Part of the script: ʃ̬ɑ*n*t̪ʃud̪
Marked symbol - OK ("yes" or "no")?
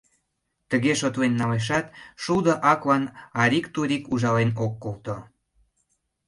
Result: no